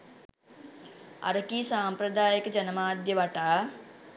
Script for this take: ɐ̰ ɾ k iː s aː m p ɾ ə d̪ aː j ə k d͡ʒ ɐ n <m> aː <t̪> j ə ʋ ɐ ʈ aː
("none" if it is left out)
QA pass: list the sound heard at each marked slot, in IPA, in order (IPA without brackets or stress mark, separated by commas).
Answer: m, d̪